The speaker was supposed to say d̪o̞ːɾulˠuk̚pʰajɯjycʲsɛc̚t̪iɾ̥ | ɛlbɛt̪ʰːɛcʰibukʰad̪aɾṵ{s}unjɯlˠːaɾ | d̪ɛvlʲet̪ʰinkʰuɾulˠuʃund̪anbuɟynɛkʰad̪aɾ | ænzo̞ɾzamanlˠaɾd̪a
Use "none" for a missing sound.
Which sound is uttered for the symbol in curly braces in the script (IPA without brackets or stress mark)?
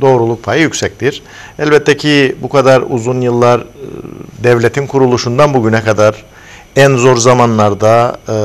z